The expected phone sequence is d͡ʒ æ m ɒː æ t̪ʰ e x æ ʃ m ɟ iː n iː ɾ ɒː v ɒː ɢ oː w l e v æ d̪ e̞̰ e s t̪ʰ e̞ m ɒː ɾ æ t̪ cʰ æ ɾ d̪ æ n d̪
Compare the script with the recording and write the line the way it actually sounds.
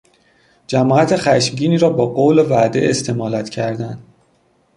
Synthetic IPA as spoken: d͡ʒ æ m ɒː æ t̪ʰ e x æ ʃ m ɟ iː n iː ɾ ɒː b ɒː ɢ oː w l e v æ d̪ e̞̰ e s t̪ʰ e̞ m ɒː l æ t̪ cʰ æ ɾ d̪ æ n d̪